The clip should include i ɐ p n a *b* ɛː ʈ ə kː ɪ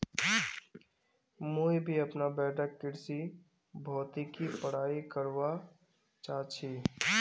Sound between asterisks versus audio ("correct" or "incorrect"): correct